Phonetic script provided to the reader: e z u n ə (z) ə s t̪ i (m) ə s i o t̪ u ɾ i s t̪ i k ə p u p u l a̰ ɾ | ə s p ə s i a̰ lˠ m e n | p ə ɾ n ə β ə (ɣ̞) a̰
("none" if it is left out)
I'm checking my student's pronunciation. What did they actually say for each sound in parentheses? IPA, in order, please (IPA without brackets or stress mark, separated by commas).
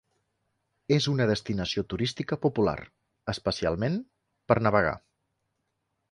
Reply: ð, n, ɣ̞